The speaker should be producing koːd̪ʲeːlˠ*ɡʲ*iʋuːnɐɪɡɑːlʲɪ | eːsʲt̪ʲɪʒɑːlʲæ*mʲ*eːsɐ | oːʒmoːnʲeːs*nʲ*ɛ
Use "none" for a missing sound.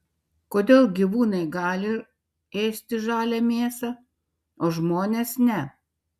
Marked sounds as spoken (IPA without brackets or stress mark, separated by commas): ɡʲ, mʲ, nʲ